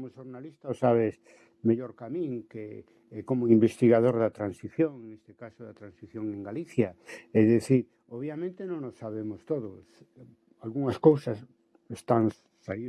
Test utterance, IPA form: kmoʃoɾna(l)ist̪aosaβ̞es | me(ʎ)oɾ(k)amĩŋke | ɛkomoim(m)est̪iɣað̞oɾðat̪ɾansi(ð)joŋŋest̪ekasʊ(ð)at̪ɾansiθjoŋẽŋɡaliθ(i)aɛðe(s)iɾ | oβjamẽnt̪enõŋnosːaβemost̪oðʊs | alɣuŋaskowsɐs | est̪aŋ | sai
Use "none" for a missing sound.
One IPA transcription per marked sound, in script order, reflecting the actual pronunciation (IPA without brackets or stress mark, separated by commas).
l, ʎ, k, b, θ, ð, j, θ